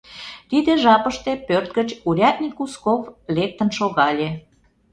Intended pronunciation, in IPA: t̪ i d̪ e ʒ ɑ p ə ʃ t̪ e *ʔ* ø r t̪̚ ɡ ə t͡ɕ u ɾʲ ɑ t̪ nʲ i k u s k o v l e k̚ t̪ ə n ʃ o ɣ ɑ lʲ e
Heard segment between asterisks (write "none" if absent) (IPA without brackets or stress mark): p